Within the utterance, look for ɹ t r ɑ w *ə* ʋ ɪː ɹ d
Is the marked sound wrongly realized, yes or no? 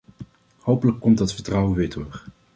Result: no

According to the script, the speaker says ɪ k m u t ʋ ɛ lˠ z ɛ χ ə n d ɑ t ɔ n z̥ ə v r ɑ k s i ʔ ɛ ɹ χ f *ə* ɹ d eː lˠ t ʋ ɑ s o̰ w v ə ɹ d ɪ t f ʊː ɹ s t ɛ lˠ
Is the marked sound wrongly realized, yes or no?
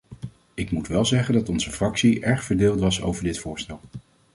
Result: no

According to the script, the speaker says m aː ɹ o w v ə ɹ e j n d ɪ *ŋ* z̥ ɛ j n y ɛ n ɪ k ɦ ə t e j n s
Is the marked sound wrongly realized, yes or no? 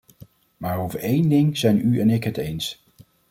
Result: no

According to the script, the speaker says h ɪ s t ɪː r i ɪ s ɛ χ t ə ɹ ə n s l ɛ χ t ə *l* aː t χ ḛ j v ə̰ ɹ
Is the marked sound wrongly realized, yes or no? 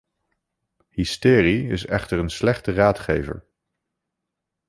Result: yes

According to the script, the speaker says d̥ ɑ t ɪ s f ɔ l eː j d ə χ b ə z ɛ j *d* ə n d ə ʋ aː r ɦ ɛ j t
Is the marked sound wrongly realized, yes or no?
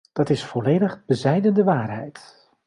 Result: no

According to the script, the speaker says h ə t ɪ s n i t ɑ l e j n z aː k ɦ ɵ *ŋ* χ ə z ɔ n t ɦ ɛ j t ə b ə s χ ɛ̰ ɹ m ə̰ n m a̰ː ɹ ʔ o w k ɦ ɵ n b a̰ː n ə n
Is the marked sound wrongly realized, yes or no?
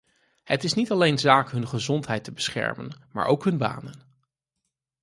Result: yes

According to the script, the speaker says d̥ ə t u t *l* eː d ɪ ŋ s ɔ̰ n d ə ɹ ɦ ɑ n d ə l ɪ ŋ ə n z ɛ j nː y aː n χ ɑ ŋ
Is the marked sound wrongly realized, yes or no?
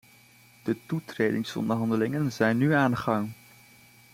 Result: yes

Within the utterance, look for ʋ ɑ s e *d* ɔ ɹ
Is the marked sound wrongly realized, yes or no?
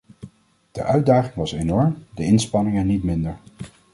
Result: yes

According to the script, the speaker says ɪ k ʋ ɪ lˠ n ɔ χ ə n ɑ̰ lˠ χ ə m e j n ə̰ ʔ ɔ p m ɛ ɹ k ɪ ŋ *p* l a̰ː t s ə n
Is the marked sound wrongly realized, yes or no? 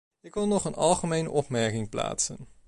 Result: no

